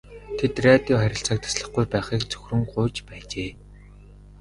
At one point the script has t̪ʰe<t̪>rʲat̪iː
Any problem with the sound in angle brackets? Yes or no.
no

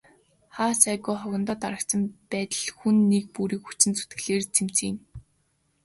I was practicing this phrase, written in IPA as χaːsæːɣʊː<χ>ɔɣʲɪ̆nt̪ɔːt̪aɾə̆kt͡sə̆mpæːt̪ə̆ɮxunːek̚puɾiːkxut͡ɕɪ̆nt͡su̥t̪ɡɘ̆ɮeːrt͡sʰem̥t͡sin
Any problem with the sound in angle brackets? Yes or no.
no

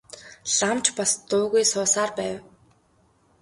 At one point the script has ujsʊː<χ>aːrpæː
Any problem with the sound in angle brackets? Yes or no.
yes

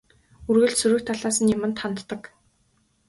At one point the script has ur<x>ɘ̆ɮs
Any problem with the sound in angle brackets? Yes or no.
yes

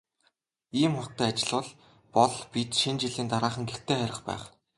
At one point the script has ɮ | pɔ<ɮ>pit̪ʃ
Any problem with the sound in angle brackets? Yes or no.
no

